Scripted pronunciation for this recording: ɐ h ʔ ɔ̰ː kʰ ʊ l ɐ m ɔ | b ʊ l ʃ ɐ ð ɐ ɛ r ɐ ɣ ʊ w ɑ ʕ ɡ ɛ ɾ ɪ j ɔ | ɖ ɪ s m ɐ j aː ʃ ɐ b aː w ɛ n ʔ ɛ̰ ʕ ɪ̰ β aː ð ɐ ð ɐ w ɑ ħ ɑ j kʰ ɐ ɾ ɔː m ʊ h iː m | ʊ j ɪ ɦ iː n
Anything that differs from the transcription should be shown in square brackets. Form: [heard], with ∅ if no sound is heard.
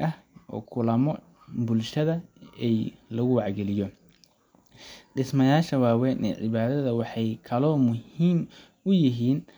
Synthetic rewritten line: ɐ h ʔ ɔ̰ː kʰ ʊ l ɐ m ɔ | b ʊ l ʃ ɐ ð ɐ ɛ [l] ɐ ɣ ʊ w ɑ ʕ ɡ ɛ [l] ɪ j ɔ | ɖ ɪ s m ɐ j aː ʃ ɐ [w] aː w ɛ n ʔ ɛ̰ ʕ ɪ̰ β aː ð ɐ ð ɐ w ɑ ħ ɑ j kʰ ɐ [l] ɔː m ʊ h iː m | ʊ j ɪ ɦ iː n